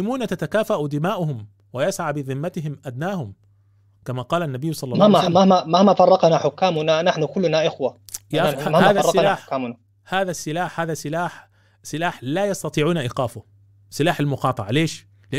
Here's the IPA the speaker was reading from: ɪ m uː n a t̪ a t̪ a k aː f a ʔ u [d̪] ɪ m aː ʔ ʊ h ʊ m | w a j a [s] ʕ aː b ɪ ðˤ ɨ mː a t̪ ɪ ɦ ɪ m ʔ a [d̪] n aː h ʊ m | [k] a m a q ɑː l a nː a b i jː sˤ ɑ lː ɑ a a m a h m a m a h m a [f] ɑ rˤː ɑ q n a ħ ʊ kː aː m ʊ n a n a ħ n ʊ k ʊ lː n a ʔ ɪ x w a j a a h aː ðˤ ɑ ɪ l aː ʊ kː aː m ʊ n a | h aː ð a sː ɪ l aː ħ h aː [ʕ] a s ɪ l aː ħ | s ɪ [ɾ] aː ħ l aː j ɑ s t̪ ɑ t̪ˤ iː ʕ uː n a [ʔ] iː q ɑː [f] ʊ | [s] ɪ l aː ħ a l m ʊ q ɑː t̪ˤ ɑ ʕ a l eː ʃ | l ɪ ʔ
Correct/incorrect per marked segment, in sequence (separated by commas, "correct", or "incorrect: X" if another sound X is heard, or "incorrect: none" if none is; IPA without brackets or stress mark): correct, correct, correct, correct, correct, incorrect: ð, incorrect: l, correct, correct, correct